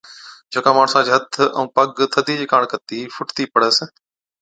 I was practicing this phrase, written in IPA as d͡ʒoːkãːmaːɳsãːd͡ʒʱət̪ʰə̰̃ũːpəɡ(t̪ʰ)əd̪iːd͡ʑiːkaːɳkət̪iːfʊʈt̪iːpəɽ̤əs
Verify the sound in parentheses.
correct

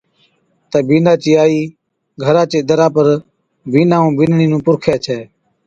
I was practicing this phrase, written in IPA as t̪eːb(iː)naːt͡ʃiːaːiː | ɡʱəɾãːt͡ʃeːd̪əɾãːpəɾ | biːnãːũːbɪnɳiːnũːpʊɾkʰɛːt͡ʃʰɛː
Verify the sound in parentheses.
correct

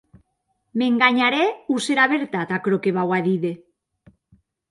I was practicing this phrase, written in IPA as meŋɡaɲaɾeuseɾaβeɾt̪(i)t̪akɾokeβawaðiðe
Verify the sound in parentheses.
incorrect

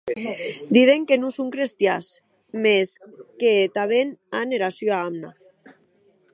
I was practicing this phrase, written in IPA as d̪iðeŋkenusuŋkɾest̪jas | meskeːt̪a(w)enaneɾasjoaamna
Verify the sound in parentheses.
incorrect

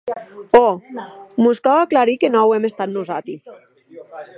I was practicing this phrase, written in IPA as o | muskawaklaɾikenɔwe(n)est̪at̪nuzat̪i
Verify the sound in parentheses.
incorrect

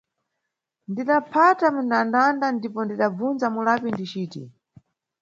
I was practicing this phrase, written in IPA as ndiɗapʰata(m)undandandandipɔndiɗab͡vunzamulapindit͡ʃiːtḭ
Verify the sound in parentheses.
correct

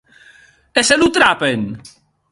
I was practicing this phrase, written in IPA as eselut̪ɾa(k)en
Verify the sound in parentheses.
incorrect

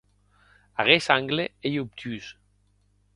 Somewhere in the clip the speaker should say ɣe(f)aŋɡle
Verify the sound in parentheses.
incorrect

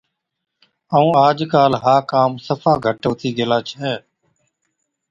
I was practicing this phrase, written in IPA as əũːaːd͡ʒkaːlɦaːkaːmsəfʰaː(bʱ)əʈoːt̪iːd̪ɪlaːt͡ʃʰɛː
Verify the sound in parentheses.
incorrect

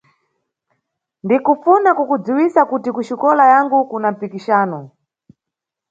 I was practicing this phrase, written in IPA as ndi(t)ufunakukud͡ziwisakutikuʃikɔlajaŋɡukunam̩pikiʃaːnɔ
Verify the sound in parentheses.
incorrect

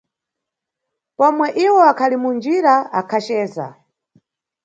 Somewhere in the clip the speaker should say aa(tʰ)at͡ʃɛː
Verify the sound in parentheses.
incorrect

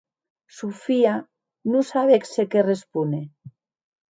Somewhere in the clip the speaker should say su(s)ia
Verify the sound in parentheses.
incorrect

